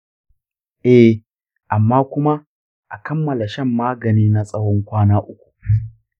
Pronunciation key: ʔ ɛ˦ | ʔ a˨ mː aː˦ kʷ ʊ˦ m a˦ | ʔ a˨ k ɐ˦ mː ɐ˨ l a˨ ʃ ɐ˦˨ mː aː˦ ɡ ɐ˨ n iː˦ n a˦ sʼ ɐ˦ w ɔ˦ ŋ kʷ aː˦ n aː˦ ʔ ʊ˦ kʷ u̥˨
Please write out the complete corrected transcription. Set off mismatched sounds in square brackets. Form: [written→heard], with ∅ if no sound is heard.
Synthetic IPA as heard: ʔ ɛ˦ | ʔ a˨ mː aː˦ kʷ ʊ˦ m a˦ | ʔ a˨ k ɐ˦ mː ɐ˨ l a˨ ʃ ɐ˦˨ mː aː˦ ɡ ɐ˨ n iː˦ n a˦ sʼ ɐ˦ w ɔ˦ ŋ kʷ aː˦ n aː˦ ʔ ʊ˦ kʷ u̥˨

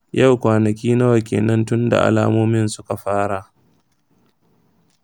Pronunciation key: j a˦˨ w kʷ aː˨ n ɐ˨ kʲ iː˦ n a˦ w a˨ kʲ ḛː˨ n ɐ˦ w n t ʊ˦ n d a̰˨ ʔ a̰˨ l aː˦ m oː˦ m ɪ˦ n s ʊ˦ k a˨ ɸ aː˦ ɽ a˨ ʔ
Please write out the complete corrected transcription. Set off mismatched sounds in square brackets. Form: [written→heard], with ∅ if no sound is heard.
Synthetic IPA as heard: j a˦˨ w kʷ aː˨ n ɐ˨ kʲ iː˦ n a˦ w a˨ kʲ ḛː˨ n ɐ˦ [w→∅] n t ʊ˦ n d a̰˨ ʔ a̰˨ l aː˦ m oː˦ m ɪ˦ n s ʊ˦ k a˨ ɸ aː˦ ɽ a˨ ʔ

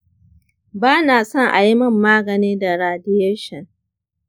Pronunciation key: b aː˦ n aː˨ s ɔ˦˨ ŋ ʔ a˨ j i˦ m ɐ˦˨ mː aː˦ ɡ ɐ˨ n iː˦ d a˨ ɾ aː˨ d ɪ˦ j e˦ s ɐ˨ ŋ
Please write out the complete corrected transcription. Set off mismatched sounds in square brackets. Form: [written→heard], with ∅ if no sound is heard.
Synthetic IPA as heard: b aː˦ n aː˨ s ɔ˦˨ ŋ ʔ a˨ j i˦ m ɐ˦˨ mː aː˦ ɡ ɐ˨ n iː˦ d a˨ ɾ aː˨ d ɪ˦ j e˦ [s→ʃ] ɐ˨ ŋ

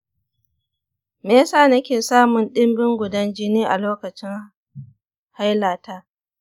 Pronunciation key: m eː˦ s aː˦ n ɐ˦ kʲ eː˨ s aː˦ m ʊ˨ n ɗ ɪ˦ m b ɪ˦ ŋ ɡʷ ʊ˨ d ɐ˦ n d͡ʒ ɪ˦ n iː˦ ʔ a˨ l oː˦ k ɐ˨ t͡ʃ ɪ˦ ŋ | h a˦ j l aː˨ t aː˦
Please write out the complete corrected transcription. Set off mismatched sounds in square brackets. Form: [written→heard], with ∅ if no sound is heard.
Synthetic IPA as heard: m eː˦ s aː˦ n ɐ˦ kʲ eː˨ s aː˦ m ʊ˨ n ɗ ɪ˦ m b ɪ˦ ŋ ɡʷ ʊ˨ d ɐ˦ n d͡ʒ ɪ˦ n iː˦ ʔ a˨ l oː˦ k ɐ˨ t͡ʃ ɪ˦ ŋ | h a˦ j l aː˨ t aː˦

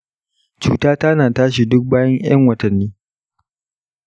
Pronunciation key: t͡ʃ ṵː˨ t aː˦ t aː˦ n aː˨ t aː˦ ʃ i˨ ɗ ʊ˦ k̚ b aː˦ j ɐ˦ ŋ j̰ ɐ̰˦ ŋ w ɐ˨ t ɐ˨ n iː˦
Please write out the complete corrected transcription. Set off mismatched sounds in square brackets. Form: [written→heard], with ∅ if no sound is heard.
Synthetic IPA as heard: t͡ʃ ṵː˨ t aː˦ t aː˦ n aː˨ t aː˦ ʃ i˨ [ɗ→d] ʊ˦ k̚ b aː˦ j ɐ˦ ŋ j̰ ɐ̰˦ ŋ w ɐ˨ t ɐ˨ [n→nː] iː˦

